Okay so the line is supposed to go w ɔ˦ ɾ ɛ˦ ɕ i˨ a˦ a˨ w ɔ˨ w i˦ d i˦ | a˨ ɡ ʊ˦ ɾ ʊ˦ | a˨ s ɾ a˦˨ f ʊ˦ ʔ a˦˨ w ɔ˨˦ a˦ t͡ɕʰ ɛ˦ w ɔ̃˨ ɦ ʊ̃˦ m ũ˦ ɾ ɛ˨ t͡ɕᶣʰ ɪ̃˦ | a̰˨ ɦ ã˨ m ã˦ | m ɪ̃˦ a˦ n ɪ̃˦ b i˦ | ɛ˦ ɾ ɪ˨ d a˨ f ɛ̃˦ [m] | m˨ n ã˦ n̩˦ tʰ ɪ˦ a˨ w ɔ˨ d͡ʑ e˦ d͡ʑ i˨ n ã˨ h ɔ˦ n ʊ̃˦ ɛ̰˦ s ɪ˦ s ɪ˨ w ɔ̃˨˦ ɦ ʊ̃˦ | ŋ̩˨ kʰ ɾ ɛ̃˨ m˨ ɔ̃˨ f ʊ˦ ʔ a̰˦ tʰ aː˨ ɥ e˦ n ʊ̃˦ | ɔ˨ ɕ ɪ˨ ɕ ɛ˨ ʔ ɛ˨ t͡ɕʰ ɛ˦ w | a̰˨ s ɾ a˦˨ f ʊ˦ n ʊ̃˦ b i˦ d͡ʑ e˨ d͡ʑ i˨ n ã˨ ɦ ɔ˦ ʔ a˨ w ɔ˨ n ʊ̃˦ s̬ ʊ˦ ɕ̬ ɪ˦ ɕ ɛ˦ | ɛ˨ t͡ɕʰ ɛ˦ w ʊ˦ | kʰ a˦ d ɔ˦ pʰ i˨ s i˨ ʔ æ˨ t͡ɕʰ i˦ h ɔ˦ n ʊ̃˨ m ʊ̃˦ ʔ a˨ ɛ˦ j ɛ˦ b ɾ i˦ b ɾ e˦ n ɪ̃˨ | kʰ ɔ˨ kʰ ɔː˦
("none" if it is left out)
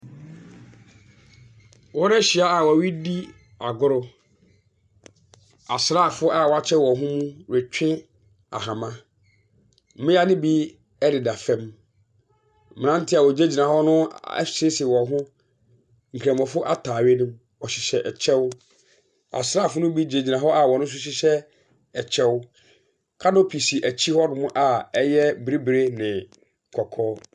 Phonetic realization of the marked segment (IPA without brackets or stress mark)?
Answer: m